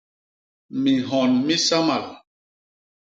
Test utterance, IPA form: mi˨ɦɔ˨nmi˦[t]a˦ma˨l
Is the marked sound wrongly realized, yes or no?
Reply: yes